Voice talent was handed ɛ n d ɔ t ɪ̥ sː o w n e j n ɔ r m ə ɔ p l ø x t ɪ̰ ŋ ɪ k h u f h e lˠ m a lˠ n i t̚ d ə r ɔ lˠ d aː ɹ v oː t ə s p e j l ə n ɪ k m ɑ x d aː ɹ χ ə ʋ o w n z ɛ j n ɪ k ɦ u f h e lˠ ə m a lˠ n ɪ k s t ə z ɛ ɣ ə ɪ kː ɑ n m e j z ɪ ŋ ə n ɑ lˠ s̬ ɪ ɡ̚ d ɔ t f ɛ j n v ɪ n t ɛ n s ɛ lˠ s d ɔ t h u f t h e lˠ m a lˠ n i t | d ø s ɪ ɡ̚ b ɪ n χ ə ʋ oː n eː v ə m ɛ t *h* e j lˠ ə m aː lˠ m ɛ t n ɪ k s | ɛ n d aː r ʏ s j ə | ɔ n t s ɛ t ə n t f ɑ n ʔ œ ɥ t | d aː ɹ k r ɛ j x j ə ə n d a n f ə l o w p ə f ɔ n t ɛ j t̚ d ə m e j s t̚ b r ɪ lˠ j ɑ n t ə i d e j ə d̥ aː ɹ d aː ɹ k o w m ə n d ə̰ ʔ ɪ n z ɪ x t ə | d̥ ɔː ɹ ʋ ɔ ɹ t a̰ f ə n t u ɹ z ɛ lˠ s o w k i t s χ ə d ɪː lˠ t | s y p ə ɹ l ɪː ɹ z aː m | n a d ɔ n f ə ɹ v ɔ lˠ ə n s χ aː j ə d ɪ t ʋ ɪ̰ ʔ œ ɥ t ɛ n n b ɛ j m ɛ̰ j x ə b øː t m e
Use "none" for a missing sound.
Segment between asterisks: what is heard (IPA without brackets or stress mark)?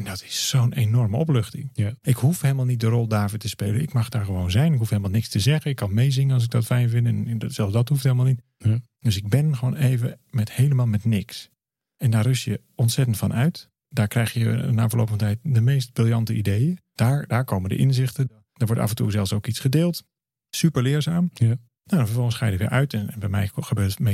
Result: h